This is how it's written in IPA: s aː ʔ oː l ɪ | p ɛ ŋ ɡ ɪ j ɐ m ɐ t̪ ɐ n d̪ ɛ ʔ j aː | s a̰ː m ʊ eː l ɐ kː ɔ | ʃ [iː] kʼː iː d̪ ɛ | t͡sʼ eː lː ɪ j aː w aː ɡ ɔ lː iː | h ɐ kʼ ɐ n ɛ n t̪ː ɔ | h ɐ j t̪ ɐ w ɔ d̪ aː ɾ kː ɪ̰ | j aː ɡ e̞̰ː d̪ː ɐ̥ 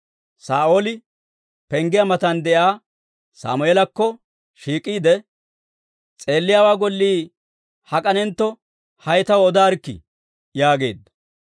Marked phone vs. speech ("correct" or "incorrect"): correct